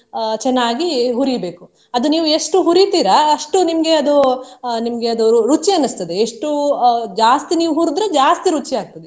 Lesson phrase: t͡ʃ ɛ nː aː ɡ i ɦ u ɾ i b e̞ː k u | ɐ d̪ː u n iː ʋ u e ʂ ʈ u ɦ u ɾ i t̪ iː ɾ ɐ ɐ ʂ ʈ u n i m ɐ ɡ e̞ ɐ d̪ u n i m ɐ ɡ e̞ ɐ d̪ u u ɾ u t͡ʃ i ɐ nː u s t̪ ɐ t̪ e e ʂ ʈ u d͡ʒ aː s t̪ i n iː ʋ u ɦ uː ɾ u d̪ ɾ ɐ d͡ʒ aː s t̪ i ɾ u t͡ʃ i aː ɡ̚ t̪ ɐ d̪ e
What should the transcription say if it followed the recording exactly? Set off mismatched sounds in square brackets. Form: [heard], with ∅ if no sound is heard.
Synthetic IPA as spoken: t͡ʃ ɛ nː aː ɡ i ɦ u ɾ i b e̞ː k u | ɐ [d̪] u n iː ʋ u e ʂ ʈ u ɦ u ɾ i t̪ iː ɾ ɐ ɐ ʂ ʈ u n i m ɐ ɡ e̞ ɐ d̪ u n i m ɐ ɡ e̞ ɐ d̪ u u ɾ u t͡ʃ i ɐ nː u s t̪ ɐ [d̪] e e ʂ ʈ u d͡ʒ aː s t̪ i n iː ʋ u ɦ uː ɾ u d̪ ɾ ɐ d͡ʒ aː s t̪ i ɾ u t͡ʃ i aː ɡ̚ t̪ ɐ d̪ e